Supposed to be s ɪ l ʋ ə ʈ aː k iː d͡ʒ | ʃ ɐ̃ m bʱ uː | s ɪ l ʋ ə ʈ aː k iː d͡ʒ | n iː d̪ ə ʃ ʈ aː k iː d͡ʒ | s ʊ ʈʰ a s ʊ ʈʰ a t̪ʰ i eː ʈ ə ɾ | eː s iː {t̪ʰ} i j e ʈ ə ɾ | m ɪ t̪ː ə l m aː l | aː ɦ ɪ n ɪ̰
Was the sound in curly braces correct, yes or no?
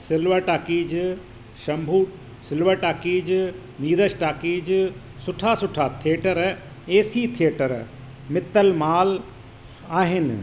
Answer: yes